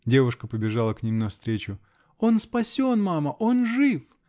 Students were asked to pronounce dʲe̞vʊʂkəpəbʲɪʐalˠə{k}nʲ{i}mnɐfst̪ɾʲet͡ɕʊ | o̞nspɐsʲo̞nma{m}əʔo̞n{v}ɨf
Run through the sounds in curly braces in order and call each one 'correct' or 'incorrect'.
correct, correct, correct, incorrect: ʐ

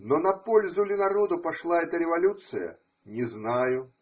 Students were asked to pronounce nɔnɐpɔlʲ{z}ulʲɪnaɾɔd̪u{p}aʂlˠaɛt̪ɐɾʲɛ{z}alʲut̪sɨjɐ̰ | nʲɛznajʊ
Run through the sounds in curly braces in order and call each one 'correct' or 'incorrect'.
correct, correct, incorrect: v

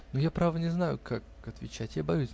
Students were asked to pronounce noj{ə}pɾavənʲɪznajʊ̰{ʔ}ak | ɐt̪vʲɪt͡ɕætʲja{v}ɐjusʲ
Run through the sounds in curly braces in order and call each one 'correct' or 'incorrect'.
incorrect: a, incorrect: k, incorrect: b

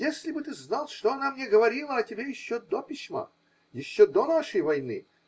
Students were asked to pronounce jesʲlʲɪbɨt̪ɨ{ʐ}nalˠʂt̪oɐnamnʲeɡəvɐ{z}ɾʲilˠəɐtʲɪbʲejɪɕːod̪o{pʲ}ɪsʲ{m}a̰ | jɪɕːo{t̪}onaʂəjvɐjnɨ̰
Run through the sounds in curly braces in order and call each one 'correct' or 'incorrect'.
incorrect: z, incorrect: none, correct, correct, incorrect: d̪

